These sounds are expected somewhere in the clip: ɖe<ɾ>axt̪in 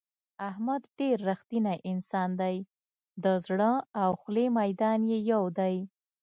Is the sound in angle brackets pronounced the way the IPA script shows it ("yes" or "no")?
no